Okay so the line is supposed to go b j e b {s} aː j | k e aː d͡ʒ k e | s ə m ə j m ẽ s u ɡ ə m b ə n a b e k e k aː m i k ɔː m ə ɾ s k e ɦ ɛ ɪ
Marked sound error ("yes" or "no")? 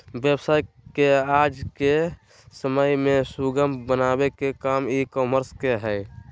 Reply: no